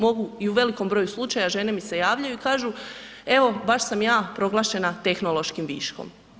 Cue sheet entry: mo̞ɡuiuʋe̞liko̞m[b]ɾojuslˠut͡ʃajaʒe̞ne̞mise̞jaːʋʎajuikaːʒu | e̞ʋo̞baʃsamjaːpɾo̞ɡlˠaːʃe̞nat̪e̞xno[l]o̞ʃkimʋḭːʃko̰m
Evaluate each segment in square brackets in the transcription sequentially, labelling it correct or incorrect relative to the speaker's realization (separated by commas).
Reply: correct, correct